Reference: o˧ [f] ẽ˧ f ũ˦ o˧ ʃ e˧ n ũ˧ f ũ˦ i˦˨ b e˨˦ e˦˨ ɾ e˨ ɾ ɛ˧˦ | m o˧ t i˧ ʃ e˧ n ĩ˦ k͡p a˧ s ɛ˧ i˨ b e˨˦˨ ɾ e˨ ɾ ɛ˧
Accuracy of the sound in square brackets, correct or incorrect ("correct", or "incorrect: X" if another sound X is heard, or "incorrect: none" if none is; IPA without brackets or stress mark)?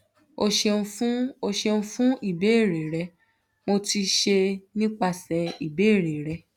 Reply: incorrect: ʃ